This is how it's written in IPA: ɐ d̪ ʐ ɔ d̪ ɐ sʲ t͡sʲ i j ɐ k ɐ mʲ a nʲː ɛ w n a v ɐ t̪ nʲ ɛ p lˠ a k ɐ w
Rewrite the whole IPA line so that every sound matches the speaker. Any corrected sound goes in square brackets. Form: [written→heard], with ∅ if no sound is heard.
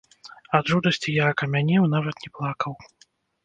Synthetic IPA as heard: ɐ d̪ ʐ [ɔ→u] d̪ ɐ sʲ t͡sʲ i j [ɐ→a] k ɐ mʲ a [nʲː→nʲ] ɛ w n a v ɐ t̪ nʲ ɛ p lˠ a k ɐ w